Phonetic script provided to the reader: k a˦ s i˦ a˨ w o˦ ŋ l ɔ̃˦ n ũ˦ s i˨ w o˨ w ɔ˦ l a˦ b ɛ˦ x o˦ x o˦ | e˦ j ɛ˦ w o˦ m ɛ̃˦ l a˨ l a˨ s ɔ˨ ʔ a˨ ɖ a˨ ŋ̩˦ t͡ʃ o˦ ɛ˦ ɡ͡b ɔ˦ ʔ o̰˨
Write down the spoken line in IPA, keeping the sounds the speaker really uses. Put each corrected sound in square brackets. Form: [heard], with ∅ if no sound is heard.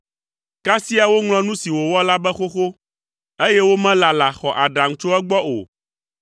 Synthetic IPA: k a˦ s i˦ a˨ w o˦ ŋ l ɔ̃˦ n ũ˦ s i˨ w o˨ w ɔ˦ l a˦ b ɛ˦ x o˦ x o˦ | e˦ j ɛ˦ w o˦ m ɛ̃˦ l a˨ l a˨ [x] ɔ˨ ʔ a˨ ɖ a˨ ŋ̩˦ t͡ʃ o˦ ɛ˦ ɡ͡b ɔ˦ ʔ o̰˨